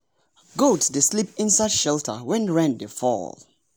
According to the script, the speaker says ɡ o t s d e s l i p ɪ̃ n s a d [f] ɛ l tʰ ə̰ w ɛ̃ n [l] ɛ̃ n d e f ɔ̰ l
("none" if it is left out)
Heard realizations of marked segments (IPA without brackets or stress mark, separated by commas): ʃ, ɹ